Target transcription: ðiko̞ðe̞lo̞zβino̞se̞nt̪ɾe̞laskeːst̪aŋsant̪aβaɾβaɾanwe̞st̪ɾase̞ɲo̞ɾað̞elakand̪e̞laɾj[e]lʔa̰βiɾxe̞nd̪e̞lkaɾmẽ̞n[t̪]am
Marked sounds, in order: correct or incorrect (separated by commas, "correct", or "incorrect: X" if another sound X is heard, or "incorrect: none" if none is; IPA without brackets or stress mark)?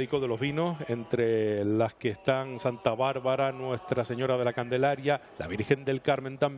incorrect: a, correct